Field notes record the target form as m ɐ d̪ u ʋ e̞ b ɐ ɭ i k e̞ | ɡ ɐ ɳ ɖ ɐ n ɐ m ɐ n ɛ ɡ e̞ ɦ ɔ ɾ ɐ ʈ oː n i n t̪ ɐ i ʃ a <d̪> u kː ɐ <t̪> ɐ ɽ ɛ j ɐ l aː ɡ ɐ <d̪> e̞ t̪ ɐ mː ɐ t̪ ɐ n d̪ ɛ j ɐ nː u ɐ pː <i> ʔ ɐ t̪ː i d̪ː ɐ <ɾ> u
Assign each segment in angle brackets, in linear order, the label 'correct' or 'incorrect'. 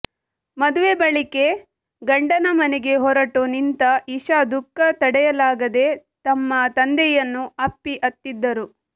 correct, correct, correct, correct, correct

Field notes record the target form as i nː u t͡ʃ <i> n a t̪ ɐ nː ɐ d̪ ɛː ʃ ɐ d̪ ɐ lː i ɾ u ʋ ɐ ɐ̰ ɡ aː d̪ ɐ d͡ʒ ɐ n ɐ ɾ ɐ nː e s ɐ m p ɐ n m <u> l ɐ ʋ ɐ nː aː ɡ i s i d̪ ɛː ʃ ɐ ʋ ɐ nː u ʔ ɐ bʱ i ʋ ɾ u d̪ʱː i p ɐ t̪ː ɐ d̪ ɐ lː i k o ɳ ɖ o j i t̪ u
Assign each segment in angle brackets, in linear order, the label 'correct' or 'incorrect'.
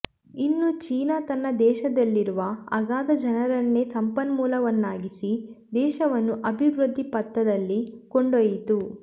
incorrect, incorrect

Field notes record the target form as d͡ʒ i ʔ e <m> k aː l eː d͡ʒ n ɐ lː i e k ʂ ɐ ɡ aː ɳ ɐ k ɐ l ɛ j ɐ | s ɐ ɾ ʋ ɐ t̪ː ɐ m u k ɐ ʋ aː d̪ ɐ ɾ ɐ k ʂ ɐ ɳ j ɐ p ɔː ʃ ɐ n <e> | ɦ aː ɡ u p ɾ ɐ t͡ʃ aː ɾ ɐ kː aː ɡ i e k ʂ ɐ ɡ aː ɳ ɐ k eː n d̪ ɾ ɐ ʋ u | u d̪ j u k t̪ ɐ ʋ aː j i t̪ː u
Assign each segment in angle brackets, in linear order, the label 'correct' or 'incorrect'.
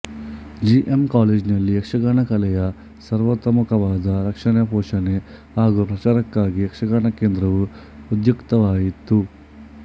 correct, correct

